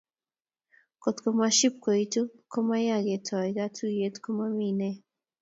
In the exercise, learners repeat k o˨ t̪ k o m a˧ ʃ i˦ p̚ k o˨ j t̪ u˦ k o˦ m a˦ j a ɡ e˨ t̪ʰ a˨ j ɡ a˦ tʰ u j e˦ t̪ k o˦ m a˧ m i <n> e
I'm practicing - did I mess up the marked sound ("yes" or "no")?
no